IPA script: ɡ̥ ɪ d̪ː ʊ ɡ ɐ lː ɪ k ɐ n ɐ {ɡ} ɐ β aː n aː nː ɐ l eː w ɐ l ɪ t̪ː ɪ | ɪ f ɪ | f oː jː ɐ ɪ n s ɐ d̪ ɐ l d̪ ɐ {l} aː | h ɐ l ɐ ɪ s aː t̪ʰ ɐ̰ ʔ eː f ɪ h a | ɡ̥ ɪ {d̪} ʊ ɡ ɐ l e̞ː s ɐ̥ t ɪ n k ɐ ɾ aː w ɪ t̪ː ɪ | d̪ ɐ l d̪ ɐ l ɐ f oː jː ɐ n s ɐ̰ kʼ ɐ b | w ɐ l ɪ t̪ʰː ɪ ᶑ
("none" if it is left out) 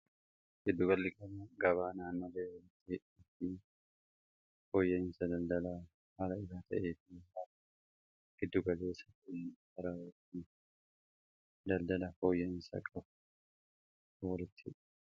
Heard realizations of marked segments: ɡ, l, d̪ː

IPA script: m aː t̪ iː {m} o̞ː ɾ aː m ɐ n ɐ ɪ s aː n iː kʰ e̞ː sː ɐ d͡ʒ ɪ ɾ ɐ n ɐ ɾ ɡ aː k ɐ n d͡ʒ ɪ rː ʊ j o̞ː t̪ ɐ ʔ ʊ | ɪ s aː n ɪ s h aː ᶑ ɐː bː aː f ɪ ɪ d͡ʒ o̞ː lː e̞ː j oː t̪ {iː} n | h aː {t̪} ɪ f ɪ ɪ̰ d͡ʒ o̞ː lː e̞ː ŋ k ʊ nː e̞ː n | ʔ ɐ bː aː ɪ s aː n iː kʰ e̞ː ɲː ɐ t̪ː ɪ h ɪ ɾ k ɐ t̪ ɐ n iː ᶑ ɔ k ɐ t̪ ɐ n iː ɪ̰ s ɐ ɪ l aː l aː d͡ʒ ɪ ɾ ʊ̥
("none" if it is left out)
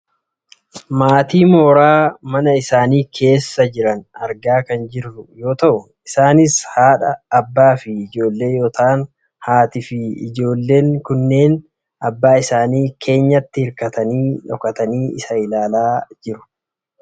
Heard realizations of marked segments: m, aː, t̪

